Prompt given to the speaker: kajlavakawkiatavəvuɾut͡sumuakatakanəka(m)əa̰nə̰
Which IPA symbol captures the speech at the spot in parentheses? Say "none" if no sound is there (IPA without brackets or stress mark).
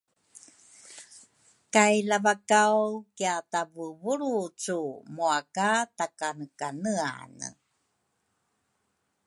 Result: n